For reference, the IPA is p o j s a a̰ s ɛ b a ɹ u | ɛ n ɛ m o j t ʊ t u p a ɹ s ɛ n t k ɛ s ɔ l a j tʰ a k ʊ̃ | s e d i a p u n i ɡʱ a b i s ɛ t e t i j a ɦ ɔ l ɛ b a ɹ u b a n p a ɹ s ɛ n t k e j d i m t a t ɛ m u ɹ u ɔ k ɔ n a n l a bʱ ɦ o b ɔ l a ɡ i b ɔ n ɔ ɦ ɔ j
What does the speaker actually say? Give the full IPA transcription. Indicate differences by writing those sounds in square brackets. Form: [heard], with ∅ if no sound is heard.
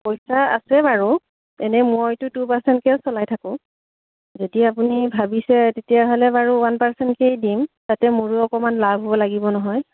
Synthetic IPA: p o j s a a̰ s ɛ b a ɹ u | ɛ n ɛ m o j t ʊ t u p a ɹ s ɛ n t k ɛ s ɔ l a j tʰ a k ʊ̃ | [z] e d i a p u n i [bʱ] a b i s ɛ t e t i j a ɦ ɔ l ɛ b a ɹ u [w] a n p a ɹ s ɛ n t k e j d i m t a t ɛ m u ɹ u ɔ k ɔ [m] a n l a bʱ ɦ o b ɔ l a ɡ i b ɔ n ɔ ɦ ɔ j

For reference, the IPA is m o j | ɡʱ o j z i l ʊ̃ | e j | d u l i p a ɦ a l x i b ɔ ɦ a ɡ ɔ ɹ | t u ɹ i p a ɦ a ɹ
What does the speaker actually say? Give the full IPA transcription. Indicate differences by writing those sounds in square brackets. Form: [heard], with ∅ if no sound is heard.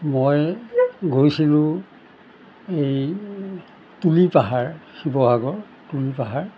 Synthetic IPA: m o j | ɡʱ o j [s] i l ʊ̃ | e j | [t] u l i p a ɦ a [ɹ] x i b ɔ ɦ a ɡ ɔ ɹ | t u [l] i p a ɦ a ɹ

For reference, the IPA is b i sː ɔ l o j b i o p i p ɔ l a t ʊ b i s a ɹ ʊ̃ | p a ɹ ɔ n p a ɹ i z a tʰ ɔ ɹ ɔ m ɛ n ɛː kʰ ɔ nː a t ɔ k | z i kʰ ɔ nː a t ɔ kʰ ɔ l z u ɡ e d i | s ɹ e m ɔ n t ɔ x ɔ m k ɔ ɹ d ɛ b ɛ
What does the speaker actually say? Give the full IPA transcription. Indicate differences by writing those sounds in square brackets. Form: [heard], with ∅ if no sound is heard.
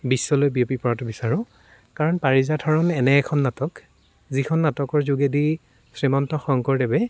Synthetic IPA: b i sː ɔ l o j b i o p i p ɔ [ɹ] a t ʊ b i s a ɹ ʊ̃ | [k] a ɹ ɔ n p a ɹ i z a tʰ ɔ ɹ ɔ [n] ɛ n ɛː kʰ ɔ nː a t ɔ k | z i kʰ ɔ nː a t ɔ [k] ɔ [ɹ] z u ɡ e d i | s ɹ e m ɔ n t ɔ x ɔ [ŋ] k ɔ ɹ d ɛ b ɛ

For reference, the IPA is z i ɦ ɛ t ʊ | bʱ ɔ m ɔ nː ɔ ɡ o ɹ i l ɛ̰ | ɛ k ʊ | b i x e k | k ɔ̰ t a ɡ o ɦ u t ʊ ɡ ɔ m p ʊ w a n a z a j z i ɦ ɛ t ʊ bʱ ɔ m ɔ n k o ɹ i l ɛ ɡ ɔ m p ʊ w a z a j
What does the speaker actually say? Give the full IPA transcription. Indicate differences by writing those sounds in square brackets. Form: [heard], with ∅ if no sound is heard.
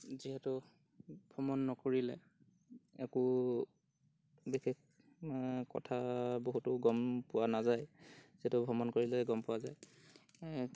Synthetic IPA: z i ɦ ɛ t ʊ | bʱ ɔ m ɔ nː ɔ [k] o ɹ i l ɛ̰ | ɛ k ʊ | b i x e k | k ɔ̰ [tʰ] a [b] o ɦ u t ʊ ɡ ɔ m p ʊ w a n a z a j z i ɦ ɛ t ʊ bʱ ɔ m ɔ n k o ɹ i l ɛ ɡ ɔ m p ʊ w a z a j

